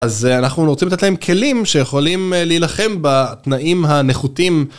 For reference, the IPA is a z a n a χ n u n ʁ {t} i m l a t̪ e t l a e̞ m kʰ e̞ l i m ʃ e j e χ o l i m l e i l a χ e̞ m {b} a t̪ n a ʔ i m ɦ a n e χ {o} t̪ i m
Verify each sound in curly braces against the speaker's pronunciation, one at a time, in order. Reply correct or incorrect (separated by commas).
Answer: incorrect, correct, incorrect